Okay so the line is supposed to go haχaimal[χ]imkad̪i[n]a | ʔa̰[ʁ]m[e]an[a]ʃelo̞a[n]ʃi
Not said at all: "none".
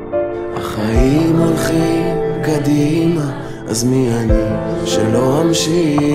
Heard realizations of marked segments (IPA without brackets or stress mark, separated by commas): χ, m, z, i, i, m